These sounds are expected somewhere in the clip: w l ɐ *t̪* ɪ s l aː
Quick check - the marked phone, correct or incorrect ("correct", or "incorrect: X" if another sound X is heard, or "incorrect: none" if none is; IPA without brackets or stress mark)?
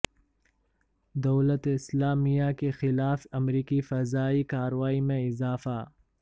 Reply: correct